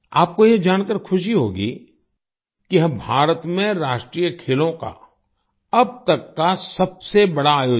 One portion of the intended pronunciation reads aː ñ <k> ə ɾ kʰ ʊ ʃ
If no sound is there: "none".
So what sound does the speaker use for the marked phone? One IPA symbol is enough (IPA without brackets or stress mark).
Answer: k